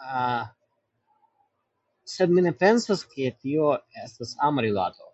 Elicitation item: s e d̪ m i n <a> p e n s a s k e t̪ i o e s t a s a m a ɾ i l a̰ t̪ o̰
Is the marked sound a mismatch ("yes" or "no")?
yes